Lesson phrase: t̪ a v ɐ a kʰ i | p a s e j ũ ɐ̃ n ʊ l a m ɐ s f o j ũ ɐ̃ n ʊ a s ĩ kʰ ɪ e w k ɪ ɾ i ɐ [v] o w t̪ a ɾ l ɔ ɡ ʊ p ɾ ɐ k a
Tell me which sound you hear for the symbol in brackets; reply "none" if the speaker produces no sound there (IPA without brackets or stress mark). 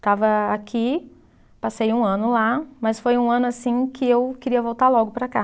v